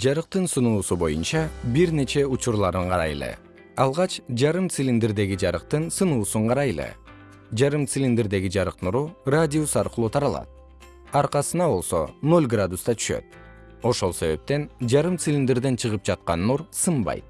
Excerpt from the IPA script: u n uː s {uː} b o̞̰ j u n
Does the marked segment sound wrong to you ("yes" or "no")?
yes